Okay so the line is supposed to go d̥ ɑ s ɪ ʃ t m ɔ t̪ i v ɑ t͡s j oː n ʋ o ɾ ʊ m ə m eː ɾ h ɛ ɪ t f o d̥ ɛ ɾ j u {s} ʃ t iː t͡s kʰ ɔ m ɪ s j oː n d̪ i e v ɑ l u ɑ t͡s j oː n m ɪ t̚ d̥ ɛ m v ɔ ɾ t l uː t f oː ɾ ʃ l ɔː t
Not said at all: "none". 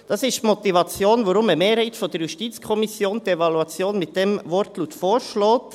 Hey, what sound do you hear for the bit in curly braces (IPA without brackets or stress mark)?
none